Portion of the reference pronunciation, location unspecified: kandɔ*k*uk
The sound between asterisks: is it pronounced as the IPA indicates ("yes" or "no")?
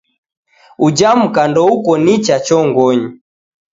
no